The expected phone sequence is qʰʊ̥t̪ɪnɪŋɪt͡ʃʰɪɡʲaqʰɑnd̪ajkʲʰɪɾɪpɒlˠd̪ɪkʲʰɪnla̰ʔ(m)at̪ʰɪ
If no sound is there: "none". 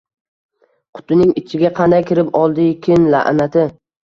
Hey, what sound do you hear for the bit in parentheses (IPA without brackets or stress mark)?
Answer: n